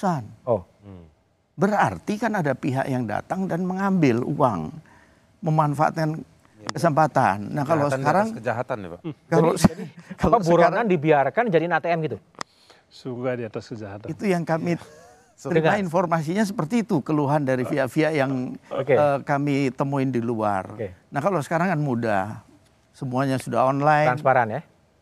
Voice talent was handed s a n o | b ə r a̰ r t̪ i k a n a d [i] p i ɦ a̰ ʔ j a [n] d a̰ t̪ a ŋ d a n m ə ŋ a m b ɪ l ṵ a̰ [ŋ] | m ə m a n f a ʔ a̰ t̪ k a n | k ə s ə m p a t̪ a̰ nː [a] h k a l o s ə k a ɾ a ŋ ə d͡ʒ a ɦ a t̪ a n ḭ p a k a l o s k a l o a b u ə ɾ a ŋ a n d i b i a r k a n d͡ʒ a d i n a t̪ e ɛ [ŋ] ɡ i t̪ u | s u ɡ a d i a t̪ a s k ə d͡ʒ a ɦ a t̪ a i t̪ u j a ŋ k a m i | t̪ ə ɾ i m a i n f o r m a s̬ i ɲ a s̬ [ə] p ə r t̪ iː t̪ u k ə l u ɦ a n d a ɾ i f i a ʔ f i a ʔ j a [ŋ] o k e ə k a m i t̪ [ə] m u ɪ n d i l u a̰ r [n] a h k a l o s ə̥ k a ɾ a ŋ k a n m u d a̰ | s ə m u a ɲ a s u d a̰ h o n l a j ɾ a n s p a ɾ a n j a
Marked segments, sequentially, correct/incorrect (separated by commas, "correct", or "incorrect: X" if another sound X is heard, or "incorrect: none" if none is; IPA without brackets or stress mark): incorrect: a, incorrect: ŋ, correct, correct, incorrect: m, correct, correct, correct, correct